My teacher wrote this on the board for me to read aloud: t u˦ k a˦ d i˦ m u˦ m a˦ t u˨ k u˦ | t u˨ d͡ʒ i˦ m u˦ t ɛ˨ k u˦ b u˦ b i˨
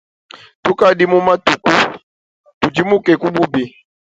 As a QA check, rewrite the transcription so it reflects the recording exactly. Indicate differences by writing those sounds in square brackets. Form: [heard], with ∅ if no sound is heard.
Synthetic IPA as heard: t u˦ k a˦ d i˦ m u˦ m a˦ t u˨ k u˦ | t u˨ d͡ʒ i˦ m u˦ [k] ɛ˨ k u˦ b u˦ b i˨

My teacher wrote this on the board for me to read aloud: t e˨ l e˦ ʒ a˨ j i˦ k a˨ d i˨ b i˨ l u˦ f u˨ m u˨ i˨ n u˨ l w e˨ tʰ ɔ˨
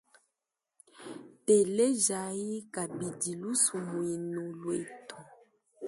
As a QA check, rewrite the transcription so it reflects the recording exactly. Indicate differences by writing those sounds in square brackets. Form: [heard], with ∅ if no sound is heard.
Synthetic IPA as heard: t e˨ l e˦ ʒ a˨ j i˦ k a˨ [b] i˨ [d] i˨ l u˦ [s] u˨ m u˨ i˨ n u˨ l w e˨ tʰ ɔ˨

